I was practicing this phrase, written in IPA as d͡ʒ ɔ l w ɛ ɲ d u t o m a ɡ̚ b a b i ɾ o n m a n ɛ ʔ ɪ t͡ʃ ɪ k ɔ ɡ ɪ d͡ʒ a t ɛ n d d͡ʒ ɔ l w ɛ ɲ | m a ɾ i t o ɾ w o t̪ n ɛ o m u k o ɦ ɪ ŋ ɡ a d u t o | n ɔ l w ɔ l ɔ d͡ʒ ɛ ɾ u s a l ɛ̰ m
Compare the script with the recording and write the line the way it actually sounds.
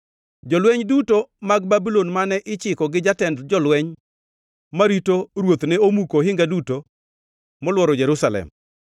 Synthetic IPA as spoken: d͡ʒ ɔ l w ɛ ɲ d u t o m a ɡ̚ b a b i l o n m a n ɛ ʔ ɪ t͡ʃ ɪ k ɔ ɡ ɪ d͡ʒ a t ɛ n d d͡ʒ ɔ l w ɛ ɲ | m a ɾ i t o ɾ w o t̪ n ɛ o m u k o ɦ ɪ ŋ ɡ a d u t o | m ɔ l w ɔ ɾ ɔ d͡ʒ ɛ ɾ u s a l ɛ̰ m